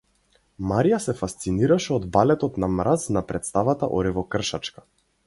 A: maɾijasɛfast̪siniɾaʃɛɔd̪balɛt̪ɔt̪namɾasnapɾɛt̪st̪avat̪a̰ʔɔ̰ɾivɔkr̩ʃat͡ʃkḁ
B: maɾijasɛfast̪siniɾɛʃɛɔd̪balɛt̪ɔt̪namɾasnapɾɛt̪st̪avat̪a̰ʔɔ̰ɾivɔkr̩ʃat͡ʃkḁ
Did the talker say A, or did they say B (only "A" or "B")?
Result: A